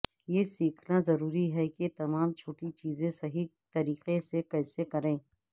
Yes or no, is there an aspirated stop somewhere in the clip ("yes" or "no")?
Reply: yes